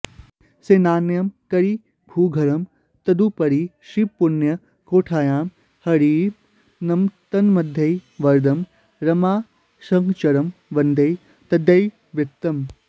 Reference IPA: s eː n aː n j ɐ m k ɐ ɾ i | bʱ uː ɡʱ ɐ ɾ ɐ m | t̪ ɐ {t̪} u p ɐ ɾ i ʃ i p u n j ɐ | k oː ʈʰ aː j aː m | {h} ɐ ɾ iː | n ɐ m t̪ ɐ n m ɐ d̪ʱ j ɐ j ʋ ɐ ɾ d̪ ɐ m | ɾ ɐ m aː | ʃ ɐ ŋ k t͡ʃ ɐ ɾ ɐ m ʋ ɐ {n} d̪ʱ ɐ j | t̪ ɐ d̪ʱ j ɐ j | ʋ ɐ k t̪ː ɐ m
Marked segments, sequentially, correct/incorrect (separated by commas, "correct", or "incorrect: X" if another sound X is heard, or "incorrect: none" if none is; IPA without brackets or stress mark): incorrect: d̪, correct, correct